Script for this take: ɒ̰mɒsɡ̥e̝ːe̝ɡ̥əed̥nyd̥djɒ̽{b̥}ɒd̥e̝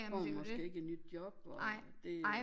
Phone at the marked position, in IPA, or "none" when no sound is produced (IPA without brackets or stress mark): b̥